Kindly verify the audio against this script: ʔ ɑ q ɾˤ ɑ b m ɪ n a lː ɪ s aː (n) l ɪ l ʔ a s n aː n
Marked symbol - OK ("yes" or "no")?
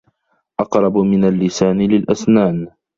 yes